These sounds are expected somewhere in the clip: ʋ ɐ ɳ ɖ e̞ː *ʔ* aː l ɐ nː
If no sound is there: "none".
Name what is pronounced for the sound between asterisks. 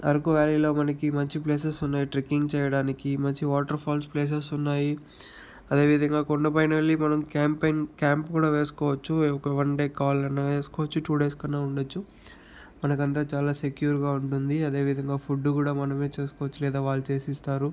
k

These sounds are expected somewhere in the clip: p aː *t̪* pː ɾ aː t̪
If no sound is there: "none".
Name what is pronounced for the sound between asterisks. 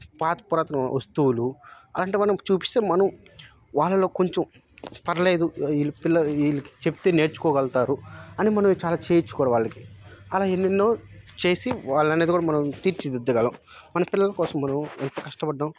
t̪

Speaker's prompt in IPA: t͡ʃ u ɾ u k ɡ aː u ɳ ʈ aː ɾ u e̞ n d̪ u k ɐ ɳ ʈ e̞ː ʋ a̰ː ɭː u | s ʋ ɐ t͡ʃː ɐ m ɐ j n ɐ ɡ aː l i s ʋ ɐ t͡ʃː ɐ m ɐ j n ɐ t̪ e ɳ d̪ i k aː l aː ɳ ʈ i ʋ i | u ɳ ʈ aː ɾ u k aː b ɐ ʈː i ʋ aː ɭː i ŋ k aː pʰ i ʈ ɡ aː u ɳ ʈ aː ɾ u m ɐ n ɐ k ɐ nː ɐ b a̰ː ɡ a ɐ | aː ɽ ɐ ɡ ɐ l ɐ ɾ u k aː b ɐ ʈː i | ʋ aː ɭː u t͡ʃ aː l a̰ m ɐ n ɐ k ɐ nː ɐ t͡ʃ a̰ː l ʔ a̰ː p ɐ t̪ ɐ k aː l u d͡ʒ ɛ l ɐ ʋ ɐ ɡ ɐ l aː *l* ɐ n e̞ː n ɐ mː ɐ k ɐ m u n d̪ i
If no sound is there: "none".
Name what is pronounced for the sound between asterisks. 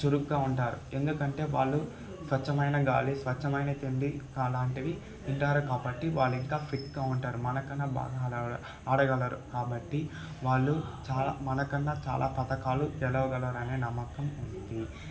ɾ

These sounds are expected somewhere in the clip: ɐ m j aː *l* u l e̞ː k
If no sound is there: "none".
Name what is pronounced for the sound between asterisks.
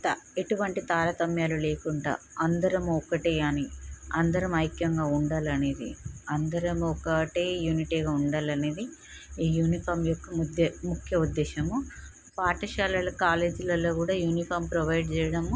l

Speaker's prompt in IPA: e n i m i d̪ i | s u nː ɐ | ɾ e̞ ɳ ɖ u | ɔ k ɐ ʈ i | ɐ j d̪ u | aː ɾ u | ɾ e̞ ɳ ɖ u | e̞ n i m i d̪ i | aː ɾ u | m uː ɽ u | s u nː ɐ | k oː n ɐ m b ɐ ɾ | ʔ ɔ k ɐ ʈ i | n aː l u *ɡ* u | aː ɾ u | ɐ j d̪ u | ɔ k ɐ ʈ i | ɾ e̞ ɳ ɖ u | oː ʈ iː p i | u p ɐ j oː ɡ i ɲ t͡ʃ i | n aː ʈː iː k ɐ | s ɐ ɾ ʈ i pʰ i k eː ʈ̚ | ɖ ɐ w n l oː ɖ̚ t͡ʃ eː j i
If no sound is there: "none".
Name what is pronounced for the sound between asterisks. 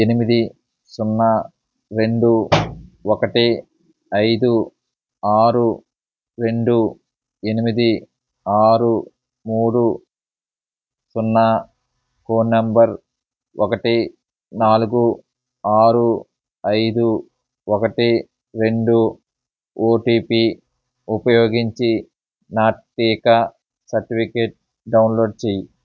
ɡ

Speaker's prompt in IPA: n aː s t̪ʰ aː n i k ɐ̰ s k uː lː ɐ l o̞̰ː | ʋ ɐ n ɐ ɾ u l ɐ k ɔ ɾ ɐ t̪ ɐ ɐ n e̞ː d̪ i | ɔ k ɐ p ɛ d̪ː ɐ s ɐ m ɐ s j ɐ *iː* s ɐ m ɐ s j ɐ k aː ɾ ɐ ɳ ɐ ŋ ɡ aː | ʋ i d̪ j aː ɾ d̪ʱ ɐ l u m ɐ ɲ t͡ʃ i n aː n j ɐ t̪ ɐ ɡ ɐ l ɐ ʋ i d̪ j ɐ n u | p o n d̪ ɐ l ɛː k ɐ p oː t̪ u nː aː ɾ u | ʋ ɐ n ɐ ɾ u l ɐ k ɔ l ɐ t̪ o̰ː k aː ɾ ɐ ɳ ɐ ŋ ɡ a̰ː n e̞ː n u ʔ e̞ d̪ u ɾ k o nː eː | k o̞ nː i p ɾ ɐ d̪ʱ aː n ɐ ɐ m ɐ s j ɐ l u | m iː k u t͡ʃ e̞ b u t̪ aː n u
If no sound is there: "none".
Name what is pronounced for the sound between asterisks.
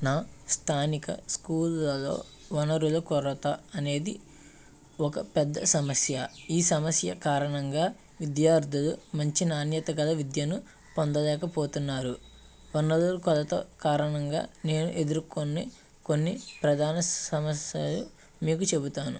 iː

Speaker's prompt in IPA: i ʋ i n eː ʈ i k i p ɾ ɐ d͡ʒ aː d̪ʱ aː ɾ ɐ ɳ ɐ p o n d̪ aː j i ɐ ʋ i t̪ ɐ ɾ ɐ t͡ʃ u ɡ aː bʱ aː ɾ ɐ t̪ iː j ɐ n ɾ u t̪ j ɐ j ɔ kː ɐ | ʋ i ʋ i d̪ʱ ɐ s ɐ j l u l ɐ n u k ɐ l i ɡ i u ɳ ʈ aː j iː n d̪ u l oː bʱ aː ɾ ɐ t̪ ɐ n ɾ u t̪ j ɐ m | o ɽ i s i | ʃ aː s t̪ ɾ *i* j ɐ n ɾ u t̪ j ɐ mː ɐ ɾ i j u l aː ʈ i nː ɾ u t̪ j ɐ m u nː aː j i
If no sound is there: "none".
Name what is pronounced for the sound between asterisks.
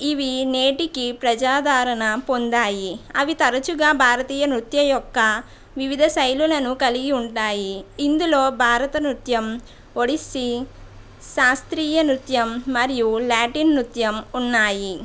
iː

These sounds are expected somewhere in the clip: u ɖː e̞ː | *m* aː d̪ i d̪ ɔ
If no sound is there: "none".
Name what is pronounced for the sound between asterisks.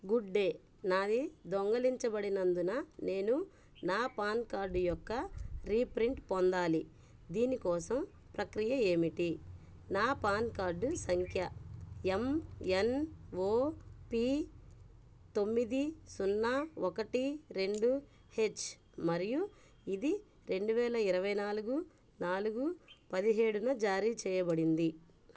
n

